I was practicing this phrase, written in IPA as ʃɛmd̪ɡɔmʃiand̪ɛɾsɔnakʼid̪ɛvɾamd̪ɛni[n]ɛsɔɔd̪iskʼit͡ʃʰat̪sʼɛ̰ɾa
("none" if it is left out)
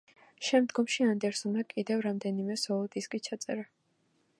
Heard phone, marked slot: m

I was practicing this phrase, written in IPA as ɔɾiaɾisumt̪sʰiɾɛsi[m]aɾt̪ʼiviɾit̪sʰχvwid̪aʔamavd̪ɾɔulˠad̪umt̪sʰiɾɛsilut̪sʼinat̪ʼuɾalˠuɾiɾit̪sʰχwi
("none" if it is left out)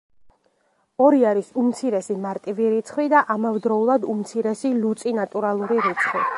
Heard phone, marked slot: m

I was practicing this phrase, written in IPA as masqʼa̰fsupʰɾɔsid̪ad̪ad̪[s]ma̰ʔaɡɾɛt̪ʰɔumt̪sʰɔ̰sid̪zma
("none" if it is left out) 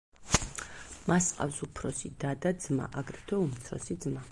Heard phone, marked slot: z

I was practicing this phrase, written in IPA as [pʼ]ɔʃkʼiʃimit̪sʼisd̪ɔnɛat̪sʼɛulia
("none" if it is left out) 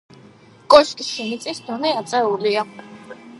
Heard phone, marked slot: kʼ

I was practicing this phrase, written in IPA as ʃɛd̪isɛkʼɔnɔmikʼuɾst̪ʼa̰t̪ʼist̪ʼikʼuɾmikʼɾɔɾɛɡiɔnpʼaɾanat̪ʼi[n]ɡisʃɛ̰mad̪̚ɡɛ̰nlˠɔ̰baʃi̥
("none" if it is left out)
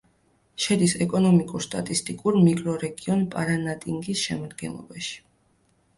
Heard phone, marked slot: ŋ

